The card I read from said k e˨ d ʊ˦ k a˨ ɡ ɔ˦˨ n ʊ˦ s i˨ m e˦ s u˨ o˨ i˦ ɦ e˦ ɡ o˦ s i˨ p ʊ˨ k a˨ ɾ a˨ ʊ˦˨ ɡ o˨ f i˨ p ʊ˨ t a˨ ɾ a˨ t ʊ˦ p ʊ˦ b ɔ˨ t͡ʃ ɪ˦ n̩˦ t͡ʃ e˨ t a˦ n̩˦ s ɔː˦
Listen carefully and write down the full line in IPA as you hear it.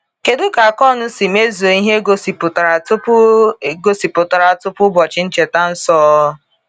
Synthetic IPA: k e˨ d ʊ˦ k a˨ k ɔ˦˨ n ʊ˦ s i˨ m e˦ z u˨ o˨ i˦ ɦ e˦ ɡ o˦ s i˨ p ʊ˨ t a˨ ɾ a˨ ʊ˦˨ ɡ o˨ s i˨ p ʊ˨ t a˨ ɾ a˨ t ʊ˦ p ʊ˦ b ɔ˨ t͡ʃ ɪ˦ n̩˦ t͡ʃ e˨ t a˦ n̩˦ s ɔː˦